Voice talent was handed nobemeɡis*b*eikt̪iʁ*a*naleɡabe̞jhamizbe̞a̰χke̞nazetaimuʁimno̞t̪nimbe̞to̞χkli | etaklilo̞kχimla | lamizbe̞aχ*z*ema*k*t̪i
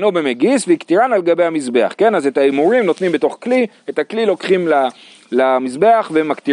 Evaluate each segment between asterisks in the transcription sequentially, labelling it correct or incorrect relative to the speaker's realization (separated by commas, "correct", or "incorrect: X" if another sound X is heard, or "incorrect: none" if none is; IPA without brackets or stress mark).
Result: incorrect: v, correct, incorrect: v, correct